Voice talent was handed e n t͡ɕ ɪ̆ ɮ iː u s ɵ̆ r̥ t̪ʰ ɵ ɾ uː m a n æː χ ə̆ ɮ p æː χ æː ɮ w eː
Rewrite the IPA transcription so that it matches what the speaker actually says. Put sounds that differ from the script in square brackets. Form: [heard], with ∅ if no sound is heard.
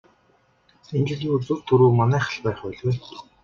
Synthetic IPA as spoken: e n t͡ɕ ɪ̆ ɮ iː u [t͡s] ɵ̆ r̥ t̪ʰ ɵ ɾ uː m a n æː χ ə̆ ɮ p æː χ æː ɮ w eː